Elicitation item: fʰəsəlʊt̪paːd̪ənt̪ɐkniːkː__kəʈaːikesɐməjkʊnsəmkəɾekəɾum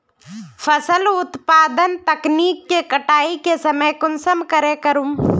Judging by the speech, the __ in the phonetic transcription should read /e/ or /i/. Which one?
e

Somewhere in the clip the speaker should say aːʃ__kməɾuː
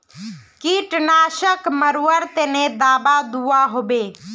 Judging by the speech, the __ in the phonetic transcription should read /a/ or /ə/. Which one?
ə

